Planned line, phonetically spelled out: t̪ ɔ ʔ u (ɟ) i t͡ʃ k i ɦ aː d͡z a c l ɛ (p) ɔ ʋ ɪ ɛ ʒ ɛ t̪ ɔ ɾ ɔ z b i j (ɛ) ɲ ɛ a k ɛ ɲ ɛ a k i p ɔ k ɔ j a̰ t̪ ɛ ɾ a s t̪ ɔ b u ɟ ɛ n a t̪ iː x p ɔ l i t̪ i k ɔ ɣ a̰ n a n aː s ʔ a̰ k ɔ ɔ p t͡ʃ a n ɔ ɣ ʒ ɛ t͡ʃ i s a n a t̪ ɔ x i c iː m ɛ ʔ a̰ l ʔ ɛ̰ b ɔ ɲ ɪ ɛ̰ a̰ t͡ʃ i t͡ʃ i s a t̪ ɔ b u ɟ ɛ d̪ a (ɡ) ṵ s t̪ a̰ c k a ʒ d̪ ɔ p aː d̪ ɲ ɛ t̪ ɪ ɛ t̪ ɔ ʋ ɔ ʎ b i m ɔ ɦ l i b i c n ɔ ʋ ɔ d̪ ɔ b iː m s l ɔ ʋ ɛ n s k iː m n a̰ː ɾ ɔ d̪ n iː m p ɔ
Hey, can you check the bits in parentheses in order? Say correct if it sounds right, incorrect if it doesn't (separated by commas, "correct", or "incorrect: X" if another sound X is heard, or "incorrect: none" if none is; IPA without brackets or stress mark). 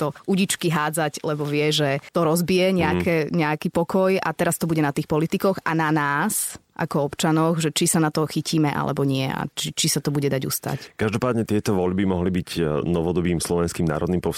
correct, incorrect: b, correct, incorrect: ɟ